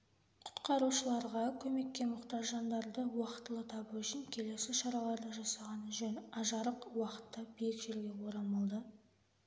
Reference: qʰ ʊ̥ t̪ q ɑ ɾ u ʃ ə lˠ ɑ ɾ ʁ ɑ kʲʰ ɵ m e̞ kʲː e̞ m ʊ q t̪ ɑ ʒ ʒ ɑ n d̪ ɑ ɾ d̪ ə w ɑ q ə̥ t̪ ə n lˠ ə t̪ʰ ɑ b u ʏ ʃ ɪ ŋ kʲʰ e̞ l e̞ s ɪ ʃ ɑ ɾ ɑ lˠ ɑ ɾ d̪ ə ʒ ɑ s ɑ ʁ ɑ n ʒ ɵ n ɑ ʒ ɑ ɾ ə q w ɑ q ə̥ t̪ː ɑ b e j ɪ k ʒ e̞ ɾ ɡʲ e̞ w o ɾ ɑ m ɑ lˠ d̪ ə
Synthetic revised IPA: qʰ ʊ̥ t̪ q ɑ ɾ u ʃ ə lˠ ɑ ɾ ʁ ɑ kʲʰ ɵ m e̞ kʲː e̞ m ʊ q t̪ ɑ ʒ ʒ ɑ n d̪ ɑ ɾ d̪ ə w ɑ q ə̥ t̪ ə lˠ ə t̪ʰ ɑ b u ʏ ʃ ɪ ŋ kʲʰ e̞ l e̞ s ɪ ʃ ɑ ɾ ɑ lˠ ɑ ɾ d̪ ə ʒ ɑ s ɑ ʁ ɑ n ʒ ɵ n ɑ ʒ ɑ ɾ ə q w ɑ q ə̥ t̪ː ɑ b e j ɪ k ʒ e̞ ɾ ɡʲ e̞ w o ɾ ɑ m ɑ lˠ d̪ ə